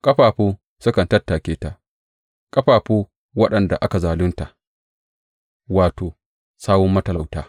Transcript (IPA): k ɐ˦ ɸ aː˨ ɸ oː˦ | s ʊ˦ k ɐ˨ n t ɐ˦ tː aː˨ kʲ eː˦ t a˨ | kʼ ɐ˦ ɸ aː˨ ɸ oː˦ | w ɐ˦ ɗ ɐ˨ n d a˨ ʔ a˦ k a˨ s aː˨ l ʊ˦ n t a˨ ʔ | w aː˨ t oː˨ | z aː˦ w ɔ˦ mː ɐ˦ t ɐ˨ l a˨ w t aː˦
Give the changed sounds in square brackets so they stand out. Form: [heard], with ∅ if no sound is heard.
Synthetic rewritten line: [kʼ] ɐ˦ ɸ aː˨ ɸ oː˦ | s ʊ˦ k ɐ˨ n t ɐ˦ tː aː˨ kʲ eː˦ t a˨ | kʼ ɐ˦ ɸ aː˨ ɸ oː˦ | w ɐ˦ ɗ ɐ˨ n d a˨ ʔ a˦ k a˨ [z] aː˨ l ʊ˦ n t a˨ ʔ | w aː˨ t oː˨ | [s] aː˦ w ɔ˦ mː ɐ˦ t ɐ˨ l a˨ w t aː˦

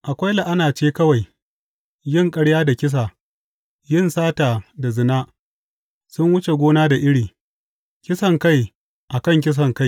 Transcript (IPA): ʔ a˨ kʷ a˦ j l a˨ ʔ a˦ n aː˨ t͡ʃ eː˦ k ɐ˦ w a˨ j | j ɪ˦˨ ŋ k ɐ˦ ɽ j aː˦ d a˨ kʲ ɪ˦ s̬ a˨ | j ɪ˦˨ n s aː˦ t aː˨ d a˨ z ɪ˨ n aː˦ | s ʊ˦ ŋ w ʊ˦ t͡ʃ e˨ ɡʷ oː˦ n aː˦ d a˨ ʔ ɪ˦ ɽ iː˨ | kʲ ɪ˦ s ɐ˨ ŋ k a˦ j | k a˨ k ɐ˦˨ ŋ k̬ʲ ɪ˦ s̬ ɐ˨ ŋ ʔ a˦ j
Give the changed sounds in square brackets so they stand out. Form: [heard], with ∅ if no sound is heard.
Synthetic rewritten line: ʔ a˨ kʷ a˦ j l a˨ ʔ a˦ n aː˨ t͡ʃ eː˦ k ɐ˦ w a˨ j | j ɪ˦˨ ŋ [kʼ] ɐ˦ ɽ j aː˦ d a˨ kʲ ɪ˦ s̬ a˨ | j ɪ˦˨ n s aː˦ t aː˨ d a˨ z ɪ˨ n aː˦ | s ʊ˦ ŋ w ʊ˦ t͡ʃ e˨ ɡʷ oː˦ n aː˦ d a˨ ʔ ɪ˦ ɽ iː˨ | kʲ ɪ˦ s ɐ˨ ŋ k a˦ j | [ʔ] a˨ k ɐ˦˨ ŋ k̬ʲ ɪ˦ s̬ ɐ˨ ŋ [k] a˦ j

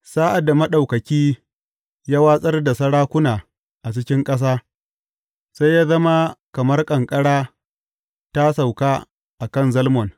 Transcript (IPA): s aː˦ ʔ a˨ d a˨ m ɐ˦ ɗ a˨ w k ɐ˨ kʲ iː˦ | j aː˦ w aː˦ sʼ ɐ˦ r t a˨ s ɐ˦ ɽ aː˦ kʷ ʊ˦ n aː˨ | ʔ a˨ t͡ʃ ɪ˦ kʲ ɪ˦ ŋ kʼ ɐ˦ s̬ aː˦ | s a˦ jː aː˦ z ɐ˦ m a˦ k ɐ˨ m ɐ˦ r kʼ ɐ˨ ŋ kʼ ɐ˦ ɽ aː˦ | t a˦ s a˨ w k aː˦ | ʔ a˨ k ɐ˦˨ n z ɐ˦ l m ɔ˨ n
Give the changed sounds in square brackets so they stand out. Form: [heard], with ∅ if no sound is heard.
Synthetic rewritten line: s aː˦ ʔ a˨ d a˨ m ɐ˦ ɗ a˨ w k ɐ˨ kʲ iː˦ | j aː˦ w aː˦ sʼ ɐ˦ r [d] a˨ s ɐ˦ ɽ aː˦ kʷ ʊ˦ n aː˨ | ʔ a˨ t͡ʃ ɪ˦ kʲ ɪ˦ ŋ kʼ ɐ˦ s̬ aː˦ | s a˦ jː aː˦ z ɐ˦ m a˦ k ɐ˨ m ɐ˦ r kʼ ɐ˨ ŋ kʼ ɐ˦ ɽ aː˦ | t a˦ s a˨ w k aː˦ | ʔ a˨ k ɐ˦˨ n z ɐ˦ l m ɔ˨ n

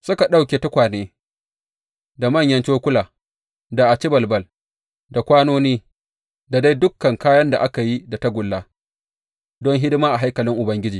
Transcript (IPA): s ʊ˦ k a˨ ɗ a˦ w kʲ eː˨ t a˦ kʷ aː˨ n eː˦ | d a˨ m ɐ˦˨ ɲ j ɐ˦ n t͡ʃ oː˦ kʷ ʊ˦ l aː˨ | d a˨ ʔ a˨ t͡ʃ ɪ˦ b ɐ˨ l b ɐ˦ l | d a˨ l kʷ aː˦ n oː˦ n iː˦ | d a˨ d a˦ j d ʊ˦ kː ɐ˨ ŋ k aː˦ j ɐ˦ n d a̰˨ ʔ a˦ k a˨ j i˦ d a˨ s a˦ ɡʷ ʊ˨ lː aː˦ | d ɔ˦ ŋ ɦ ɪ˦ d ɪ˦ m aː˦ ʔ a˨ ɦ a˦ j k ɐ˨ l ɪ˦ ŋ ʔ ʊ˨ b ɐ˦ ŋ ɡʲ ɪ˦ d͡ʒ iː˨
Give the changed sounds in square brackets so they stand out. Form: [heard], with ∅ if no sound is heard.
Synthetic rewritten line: s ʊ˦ k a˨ ɗ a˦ w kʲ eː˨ t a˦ kʷ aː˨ n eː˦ | d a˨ m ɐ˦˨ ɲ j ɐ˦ n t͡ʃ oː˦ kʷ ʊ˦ l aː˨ | d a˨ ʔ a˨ t͡ʃ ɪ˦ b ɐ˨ l b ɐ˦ l | d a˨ [∅] kʷ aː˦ n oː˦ n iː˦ | d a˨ d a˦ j d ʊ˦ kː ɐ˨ ŋ k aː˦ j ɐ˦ n d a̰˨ ʔ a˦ k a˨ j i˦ d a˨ [t] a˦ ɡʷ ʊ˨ lː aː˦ | d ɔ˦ ŋ ɦ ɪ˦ d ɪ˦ m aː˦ ʔ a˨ ɦ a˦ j k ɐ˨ l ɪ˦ ŋ ʔ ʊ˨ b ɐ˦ ŋ ɡʲ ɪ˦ d͡ʒ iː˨

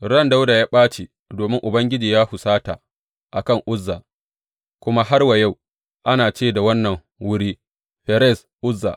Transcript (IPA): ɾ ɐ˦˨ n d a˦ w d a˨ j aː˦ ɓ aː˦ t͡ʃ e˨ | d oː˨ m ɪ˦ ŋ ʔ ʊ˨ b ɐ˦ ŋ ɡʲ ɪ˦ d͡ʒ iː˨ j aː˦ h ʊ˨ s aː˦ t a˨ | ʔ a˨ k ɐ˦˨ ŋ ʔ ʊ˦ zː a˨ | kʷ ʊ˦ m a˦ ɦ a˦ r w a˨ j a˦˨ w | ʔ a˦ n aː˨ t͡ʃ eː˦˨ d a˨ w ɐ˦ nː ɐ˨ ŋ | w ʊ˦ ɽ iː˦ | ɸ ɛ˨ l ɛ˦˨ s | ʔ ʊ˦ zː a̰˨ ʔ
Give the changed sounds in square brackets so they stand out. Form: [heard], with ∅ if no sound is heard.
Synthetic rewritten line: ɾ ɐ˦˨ n d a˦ w d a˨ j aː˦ ɓ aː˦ t͡ʃ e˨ | d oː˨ m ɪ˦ ŋ ʔ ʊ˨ b ɐ˦ ŋ ɡʲ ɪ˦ d͡ʒ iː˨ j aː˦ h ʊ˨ s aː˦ t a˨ | ʔ a˨ k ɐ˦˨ ŋ ʔ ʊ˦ zː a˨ | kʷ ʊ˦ m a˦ ɦ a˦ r w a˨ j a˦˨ w | ʔ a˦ n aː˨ t͡ʃ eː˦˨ d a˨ w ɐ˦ nː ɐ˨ ŋ | w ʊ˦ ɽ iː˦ | ɸ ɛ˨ [ɾ] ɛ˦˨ s | ʔ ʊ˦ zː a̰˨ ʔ

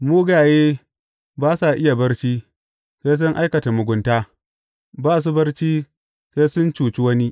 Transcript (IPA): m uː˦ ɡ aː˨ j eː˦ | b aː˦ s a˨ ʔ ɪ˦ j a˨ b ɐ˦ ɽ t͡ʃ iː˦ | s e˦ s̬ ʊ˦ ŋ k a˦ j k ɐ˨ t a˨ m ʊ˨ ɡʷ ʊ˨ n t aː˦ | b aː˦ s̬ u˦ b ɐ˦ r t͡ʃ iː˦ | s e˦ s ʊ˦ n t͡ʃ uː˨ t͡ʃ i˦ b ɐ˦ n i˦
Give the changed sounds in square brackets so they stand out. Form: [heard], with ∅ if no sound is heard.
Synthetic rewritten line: m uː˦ ɡ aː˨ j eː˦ | b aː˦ s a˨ ʔ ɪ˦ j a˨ b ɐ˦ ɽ t͡ʃ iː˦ | s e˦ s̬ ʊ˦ ŋ [ʔ] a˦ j k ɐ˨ t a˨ m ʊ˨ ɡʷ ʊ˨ n t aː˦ | b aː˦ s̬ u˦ b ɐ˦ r t͡ʃ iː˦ | s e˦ s ʊ˦ n t͡ʃ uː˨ t͡ʃ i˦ [w] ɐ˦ n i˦

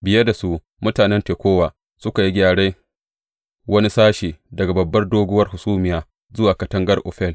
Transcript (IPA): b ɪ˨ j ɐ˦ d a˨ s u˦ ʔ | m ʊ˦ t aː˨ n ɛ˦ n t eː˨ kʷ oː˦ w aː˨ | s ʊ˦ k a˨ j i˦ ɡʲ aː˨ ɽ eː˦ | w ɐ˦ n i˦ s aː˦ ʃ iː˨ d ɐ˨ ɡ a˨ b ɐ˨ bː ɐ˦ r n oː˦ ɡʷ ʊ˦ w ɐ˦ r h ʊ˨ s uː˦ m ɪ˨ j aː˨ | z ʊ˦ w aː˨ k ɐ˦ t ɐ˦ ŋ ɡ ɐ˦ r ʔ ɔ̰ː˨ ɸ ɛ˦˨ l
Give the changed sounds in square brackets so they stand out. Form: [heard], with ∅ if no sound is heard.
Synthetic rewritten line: b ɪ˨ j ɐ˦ d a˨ s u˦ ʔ | m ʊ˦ t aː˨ n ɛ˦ n t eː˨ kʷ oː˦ w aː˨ | s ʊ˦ k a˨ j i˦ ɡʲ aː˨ ɽ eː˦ | w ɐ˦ n i˦ s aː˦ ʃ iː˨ d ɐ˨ ɡ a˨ b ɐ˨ bː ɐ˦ r [d] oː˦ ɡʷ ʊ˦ w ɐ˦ r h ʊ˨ s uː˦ m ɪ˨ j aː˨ | z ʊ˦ w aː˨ k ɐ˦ t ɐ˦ ŋ ɡ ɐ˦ r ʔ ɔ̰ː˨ ɸ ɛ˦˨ l

